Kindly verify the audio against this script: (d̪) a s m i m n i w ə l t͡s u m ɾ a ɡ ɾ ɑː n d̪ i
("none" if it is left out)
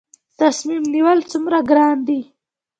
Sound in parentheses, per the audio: t̪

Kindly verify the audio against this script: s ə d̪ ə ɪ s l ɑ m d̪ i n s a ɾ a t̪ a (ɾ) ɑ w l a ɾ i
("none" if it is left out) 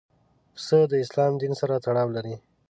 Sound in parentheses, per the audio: ɽ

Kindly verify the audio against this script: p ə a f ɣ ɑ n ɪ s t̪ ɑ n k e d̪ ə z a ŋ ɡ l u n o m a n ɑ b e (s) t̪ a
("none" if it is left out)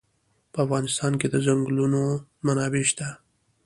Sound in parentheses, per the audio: ʃ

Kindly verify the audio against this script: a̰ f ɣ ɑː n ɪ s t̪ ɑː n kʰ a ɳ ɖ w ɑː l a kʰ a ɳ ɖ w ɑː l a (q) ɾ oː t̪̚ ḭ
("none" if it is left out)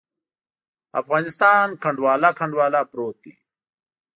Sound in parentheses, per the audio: p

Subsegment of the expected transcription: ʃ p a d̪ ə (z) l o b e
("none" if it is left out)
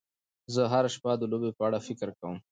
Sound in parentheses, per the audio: none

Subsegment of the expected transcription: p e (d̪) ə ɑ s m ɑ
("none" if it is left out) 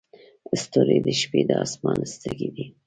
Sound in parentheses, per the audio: d̪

